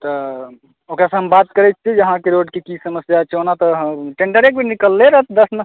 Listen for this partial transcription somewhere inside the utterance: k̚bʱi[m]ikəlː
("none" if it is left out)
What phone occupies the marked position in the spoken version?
n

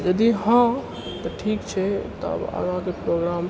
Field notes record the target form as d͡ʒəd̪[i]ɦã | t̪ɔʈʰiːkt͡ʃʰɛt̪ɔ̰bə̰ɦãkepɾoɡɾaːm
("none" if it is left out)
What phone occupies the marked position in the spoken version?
i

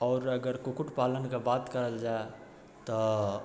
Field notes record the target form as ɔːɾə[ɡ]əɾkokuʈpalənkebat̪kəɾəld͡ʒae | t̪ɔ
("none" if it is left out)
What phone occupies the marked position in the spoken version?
ɡ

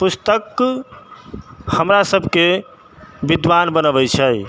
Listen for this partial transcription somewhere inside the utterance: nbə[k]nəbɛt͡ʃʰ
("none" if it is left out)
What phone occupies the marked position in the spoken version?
none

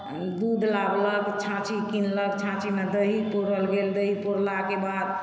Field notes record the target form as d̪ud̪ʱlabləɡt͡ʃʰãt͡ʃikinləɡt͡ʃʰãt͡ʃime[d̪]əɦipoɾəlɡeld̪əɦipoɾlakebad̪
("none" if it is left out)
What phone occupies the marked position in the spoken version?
d̪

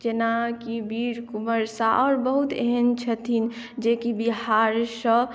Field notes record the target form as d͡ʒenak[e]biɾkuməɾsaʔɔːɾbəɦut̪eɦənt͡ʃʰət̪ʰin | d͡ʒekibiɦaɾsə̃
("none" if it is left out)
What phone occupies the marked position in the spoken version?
i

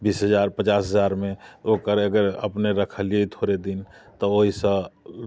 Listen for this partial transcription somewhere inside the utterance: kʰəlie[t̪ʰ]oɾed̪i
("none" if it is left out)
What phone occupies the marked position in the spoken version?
t̪ʰ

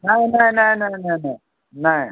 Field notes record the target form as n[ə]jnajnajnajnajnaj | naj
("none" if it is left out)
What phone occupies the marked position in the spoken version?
a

